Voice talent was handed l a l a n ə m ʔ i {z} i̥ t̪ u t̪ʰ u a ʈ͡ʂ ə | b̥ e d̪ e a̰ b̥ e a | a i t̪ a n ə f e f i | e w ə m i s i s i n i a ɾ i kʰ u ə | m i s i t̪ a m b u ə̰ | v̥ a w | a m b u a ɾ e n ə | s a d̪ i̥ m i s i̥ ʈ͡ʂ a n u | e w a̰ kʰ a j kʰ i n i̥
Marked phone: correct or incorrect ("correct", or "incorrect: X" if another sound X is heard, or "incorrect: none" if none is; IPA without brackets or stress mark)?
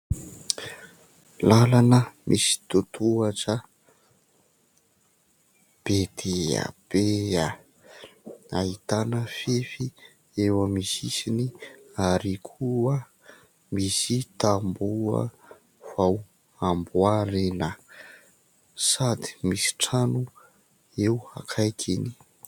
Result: incorrect: s